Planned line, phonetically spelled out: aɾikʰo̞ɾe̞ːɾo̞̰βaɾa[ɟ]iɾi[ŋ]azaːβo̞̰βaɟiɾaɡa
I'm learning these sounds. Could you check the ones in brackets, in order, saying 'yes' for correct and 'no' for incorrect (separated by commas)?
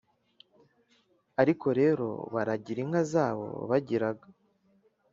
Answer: yes, yes